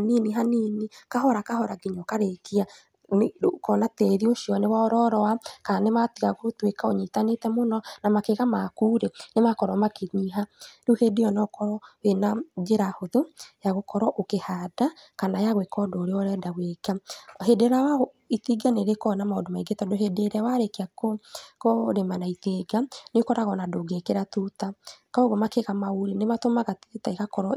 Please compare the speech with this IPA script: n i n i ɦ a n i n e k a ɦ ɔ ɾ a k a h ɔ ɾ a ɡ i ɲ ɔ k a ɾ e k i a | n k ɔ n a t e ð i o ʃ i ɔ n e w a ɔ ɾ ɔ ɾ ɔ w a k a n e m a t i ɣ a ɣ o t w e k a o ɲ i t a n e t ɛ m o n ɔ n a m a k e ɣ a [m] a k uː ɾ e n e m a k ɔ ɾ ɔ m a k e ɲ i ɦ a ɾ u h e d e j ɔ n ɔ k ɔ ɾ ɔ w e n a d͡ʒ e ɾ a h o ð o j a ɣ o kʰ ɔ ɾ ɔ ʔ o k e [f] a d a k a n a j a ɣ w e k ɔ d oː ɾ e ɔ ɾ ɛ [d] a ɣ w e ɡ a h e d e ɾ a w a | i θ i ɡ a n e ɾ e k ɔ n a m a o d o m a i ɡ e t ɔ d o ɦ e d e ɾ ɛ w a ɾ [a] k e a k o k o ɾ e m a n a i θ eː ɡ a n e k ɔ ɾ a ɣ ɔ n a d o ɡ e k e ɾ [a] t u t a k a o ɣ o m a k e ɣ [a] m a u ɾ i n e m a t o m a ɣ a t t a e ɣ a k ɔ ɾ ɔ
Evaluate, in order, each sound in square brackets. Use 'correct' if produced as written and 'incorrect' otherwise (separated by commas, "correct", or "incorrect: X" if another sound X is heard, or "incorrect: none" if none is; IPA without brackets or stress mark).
correct, incorrect: h, correct, incorrect: e, correct, correct